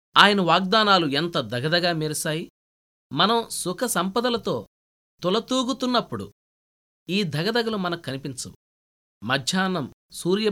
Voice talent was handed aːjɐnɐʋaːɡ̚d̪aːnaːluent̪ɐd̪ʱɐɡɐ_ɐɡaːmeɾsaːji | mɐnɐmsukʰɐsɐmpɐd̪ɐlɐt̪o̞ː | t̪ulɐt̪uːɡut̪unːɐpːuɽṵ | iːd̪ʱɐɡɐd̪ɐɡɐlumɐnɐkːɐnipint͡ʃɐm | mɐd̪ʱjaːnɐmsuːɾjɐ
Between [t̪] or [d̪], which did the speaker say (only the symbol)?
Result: d̪